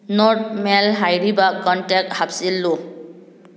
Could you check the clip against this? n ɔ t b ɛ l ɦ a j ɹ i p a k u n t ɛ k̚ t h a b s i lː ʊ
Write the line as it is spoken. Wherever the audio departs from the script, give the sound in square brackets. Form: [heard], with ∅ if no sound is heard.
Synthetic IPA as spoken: n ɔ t [m] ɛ l ɦ a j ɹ i [b] a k [ɔ] n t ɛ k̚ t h a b s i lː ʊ